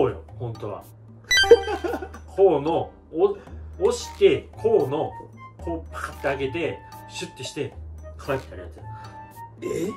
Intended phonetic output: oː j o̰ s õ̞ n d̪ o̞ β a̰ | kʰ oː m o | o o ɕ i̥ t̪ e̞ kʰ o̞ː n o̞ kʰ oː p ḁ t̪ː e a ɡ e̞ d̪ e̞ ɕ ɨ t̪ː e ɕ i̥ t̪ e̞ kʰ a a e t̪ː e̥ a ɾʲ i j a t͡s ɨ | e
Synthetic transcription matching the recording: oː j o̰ h õ̞ n t̪ o̞ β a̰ | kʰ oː n o | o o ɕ i̥ t̪ e̞ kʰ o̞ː n o̞ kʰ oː p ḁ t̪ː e a ɡ e̞ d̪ e̞ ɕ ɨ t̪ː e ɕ i̥ t̪ e̞ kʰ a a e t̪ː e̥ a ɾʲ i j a t͡s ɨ | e